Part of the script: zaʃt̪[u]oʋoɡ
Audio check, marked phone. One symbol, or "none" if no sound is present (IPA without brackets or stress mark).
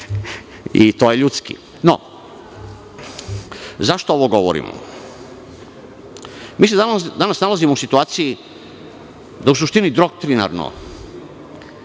o